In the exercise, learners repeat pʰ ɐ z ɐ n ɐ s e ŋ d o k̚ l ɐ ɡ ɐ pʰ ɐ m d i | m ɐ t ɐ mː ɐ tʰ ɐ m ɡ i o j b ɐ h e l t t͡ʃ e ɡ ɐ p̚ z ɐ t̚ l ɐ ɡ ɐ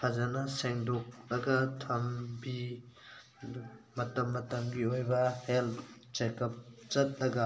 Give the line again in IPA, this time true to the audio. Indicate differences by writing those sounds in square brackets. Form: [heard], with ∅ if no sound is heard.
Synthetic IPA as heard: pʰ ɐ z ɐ n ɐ s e ŋ d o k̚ l ɐ ɡ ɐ [tʰ] ɐ m [b] i | m ɐ t ɐ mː ɐ [t] ɐ m ɡ i o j b ɐ h e l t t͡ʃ e [k] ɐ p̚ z ɐ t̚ l ɐ ɡ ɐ